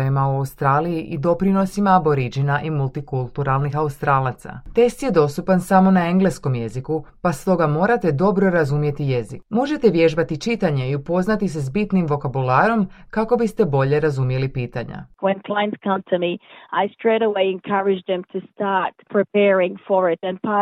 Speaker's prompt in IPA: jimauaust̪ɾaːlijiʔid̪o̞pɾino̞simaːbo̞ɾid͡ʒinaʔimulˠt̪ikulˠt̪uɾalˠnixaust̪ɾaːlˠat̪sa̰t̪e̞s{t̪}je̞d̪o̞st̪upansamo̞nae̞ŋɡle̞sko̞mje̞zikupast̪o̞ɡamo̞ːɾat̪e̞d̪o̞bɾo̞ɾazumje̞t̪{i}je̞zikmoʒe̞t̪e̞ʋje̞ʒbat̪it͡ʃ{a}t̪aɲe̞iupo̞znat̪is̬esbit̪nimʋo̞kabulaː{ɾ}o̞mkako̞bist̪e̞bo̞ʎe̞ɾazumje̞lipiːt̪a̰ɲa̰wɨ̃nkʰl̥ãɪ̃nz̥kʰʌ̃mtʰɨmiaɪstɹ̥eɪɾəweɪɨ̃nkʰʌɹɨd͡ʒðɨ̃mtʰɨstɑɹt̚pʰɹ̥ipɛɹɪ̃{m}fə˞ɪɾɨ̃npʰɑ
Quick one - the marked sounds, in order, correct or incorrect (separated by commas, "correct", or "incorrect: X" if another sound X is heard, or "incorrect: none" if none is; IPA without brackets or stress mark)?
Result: correct, correct, incorrect: i, correct, incorrect: ŋ